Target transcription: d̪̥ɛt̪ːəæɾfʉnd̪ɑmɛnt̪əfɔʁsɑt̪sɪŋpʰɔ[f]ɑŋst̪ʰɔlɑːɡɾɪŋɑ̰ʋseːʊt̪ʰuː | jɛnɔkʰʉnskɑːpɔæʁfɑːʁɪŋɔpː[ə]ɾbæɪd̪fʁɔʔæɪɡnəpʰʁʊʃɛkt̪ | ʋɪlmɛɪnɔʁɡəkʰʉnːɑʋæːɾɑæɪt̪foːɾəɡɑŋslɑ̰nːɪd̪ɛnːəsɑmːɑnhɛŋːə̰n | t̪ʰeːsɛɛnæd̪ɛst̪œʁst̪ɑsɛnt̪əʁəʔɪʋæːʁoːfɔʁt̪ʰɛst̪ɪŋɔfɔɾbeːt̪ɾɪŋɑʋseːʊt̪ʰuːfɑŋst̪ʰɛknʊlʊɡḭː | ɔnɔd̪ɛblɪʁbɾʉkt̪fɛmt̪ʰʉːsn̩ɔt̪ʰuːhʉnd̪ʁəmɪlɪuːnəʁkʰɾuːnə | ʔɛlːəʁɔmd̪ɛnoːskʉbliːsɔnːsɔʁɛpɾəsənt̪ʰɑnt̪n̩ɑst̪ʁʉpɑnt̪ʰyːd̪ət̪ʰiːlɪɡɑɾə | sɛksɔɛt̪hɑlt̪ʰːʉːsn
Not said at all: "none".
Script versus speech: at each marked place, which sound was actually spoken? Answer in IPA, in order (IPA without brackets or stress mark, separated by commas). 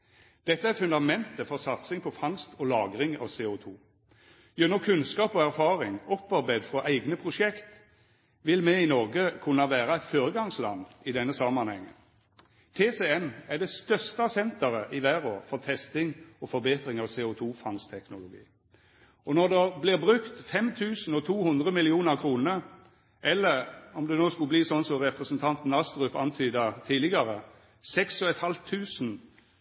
f, ɑ